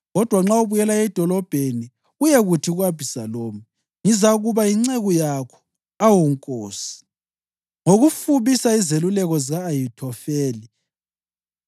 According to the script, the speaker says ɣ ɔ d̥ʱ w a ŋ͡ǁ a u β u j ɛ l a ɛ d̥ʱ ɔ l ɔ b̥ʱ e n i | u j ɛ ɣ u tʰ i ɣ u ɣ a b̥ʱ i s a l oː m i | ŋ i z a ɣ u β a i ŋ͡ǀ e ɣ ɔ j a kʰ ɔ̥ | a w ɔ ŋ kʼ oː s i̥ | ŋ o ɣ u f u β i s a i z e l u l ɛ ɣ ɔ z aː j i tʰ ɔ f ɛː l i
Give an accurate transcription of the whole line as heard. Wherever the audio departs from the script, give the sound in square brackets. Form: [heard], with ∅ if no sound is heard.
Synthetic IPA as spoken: ɣ ɔ d̥ʱ w a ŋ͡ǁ a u β u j ɛ l a ɛ d̥ʱ ɔ l ɔ b̥ʱ e n i | u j ɛ ɣ u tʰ i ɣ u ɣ a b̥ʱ i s a l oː m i | ŋ i z a ɣ u β a i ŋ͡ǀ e ɣ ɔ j a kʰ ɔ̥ | a w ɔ ŋ kʼ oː s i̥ | ŋ o ɣ u f u β i s a i z e l u l ɛ ɣ ɔ z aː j i tʰ ɔ f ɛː l i